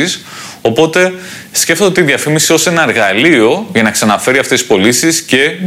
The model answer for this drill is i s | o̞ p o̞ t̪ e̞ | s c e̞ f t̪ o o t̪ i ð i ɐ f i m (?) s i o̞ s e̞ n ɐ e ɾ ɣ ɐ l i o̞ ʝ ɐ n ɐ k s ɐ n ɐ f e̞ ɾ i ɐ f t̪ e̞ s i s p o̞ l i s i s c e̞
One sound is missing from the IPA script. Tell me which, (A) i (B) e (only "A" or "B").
A